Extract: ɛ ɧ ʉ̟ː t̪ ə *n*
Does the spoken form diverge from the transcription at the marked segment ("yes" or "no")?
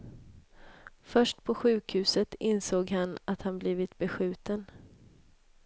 no